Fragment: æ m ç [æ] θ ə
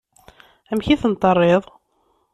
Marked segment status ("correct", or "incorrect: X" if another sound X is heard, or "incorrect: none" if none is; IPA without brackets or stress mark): incorrect: i